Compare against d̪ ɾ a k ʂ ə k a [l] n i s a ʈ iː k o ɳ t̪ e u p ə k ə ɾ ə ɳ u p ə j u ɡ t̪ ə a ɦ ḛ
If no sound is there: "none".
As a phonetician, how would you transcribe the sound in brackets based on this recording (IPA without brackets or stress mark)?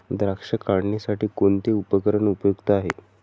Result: ɽ